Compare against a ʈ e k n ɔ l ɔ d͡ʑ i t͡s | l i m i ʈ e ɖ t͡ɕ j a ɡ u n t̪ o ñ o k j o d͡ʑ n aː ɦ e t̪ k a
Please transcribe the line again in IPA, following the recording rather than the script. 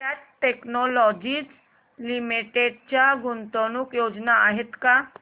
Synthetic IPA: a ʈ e k n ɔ l ɔ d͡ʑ i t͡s | l i m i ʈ e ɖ t͡ɕ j a ɡ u n t̪ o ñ u k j o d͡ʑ n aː ɦ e t̪ k a